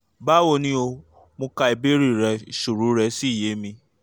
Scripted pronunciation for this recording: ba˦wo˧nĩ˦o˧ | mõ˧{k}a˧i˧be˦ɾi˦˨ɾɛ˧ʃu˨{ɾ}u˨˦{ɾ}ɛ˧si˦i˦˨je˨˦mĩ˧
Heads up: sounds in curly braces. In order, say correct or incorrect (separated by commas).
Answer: correct, correct, correct